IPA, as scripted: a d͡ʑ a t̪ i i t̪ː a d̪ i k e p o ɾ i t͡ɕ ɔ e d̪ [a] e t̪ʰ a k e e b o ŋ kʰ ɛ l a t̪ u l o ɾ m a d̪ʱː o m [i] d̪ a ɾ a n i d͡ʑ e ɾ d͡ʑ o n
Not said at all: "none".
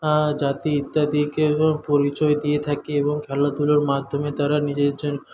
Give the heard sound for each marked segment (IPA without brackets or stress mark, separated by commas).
i, e